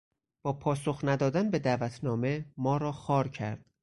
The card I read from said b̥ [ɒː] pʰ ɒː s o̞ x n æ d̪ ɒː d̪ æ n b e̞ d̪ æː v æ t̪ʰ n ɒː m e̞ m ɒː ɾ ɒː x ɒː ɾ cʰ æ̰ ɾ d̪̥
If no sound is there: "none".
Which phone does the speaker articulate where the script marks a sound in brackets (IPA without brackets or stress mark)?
ɒː